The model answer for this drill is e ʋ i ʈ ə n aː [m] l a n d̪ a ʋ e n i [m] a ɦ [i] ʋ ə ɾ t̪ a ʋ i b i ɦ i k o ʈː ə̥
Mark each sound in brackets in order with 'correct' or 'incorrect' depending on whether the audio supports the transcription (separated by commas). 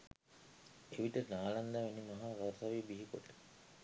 incorrect, correct, incorrect